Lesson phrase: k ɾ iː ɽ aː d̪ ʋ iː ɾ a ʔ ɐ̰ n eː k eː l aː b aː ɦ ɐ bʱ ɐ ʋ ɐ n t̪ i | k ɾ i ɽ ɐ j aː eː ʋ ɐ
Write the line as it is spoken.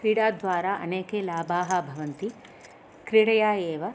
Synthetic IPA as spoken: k ɾ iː ɽ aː d̪ ʋ aː ɾ a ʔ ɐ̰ n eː k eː l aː b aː ɦ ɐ bʱ ɐ ʋ ɐ n t̪ i | k ɾ i ɽ ɐ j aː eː ʋ ɐ